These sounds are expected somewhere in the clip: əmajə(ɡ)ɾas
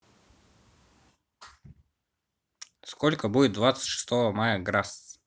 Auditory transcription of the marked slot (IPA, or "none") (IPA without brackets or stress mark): ɡ